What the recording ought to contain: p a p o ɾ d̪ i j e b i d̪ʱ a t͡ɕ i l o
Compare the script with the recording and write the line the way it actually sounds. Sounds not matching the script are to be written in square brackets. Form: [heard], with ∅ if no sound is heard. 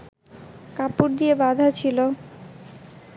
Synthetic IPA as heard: [k] a p [u] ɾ d̪ i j e b [a] d̪ʱ a [t͡ɕʰ] i l o